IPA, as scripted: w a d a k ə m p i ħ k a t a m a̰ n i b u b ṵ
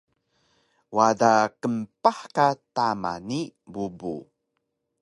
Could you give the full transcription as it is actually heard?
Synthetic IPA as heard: w a d a k ə m p a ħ k a t a m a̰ n i b u b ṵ

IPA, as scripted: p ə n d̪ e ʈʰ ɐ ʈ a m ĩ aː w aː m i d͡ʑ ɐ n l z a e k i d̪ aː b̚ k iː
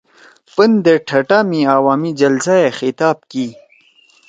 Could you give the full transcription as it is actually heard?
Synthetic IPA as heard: p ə n d̪ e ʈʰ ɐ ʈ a m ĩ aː w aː m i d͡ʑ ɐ l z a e x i t̪ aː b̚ k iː

